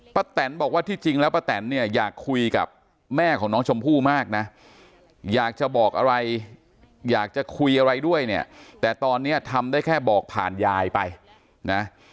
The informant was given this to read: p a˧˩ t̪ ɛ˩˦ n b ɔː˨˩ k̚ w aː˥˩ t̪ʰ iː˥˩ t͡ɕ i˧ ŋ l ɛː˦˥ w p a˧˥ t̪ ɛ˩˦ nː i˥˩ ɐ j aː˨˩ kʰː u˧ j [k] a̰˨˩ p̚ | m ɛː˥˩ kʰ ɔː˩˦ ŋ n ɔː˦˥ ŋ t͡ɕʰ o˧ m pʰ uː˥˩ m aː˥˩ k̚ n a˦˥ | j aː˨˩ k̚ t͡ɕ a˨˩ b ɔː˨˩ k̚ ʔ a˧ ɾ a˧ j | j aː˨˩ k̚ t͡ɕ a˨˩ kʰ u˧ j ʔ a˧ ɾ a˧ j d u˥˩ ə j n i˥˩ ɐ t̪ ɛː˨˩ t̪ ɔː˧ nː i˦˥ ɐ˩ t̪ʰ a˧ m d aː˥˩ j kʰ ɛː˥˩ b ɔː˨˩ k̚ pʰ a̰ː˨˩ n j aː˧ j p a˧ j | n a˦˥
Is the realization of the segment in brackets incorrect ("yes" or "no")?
no